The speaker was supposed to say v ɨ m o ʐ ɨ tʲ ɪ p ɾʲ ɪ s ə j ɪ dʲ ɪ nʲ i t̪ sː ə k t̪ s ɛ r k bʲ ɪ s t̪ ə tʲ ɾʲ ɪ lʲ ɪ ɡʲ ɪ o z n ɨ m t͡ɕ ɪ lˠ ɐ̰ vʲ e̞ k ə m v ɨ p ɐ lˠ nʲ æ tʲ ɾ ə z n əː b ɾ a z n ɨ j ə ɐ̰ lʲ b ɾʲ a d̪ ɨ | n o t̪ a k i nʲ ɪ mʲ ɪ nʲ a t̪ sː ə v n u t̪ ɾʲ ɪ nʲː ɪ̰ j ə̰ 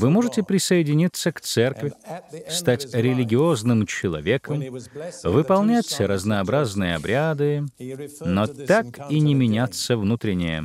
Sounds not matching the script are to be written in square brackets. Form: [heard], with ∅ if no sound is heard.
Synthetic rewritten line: v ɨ m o ʐ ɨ tʲ ɪ p ɾʲ ɪ s ə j ɪ dʲ ɪ nʲ i t̪ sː ə k t̪ s ɛ r k [vʲ] ɪ s t̪ [a] tʲ ɾʲ ɪ lʲ ɪ ɡʲ ɪ o z n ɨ m t͡ɕ ɪ lˠ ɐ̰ vʲ e̞ k ə m v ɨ p ɐ lˠ nʲ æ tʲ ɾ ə z n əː b ɾ a z n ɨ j ə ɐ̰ [∅] b ɾʲ a d̪ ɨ | n o t̪ a k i nʲ ɪ mʲ ɪ nʲ a t̪ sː ə v n u t̪ ɾʲ ɪ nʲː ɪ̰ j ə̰